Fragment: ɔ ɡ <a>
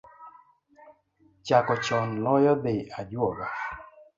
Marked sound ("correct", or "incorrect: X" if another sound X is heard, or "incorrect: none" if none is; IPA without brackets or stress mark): correct